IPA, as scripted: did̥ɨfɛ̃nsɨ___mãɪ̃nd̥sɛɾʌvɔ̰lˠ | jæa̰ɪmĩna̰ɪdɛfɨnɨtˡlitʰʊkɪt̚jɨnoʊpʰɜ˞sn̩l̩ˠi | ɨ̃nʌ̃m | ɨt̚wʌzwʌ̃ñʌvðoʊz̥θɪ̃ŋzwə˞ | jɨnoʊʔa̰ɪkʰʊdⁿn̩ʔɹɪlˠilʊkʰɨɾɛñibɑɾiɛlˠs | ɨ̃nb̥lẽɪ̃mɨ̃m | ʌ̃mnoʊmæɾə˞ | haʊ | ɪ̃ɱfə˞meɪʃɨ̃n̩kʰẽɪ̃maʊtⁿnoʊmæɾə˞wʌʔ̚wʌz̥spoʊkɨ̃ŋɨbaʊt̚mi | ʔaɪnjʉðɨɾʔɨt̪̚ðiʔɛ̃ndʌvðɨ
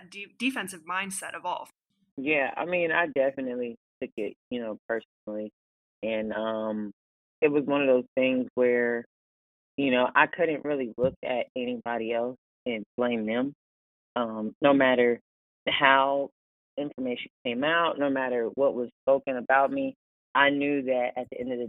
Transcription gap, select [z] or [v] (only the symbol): v